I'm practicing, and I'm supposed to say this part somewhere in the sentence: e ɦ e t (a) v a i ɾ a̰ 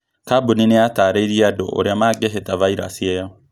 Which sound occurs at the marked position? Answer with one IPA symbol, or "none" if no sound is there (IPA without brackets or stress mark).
a